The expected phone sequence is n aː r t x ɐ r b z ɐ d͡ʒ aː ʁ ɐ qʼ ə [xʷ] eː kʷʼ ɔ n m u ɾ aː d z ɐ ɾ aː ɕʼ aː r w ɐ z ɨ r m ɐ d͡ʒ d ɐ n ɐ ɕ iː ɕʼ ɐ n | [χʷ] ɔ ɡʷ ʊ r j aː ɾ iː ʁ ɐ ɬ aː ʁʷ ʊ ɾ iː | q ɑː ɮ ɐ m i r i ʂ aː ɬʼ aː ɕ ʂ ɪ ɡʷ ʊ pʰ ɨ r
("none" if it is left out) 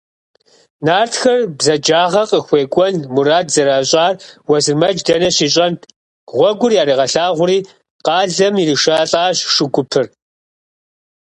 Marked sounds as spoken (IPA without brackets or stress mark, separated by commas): xʷ, ʁʷ